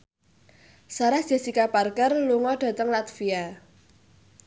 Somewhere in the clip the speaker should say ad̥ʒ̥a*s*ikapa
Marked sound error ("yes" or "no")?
no